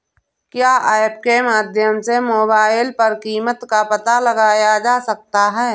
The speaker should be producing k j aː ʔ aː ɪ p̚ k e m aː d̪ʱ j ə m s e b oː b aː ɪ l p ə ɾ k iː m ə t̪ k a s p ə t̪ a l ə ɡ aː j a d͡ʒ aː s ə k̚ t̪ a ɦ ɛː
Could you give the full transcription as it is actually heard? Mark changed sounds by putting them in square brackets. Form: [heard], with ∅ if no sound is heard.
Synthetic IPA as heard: k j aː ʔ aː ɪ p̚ k e m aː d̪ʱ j ə m s e [m] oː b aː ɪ l p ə ɾ k iː m ə t̪ k a [∅] p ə t̪ a l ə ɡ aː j a d͡ʒ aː s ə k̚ t̪ a ɦ ɛː